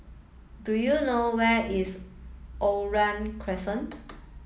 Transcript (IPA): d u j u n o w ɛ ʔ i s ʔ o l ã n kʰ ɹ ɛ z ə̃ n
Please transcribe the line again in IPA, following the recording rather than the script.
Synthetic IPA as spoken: d u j u n o w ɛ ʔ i s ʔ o ɹ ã n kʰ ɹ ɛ s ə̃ n